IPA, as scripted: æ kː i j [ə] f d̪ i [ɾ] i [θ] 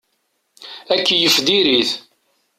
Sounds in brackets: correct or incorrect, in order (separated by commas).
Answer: correct, correct, correct